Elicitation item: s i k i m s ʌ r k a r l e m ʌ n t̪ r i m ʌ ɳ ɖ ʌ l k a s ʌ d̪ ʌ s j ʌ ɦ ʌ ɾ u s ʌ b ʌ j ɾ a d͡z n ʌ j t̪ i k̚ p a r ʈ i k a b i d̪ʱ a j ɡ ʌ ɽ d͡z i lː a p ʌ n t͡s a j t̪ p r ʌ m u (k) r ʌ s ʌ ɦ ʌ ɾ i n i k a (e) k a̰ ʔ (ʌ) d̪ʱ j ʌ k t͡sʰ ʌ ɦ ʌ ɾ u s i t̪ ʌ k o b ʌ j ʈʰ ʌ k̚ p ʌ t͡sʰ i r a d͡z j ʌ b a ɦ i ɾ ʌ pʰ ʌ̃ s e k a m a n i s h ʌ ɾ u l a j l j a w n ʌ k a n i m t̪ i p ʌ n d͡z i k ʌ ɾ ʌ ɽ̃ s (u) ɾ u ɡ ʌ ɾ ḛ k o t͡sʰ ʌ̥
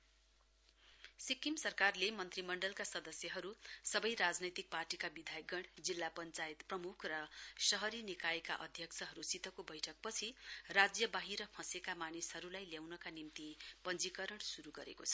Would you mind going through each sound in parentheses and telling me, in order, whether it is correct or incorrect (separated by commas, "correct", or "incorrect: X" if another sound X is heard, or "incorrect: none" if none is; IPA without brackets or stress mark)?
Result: incorrect: kʰ, correct, correct, correct